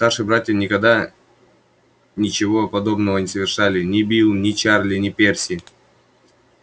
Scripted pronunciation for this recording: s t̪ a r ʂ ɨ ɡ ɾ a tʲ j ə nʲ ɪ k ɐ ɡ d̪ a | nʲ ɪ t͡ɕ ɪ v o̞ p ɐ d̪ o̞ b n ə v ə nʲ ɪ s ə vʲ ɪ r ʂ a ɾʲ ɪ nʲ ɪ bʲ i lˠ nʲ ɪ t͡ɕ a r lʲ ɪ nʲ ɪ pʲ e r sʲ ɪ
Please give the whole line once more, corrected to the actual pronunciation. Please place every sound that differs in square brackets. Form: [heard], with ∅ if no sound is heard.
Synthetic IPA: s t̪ a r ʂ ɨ [b] ɾ a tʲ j ə nʲ ɪ k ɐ ɡ d̪ a | nʲ ɪ t͡ɕ ɪ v o̞ p ɐ d̪ o̞ b n ə v ə nʲ ɪ s ə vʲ ɪ r ʂ a [lʲ] ɪ nʲ ɪ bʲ i lˠ nʲ ɪ t͡ɕ a r lʲ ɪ nʲ ɪ pʲ e r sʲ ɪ